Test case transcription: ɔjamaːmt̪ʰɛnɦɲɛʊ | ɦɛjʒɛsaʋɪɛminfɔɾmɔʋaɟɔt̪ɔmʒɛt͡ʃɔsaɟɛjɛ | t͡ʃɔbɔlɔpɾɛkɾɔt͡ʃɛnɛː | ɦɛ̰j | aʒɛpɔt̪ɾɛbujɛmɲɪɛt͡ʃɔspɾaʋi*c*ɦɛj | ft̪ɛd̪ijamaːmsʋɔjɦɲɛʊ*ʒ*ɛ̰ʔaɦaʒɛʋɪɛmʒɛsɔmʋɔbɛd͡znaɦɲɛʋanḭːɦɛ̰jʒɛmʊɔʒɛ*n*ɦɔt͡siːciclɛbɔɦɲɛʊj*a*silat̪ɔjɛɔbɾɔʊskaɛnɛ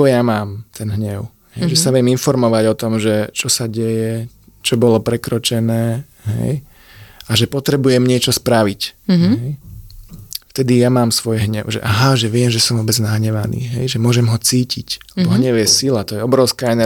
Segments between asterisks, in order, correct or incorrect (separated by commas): correct, correct, incorrect, incorrect